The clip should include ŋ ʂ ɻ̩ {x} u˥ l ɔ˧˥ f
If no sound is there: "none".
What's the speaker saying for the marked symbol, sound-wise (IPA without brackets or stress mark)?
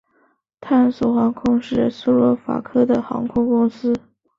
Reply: s